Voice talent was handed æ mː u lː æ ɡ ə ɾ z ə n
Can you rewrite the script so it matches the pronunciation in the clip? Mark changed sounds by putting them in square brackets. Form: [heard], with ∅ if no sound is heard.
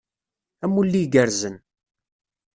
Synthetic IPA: æ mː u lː [i] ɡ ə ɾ z ə n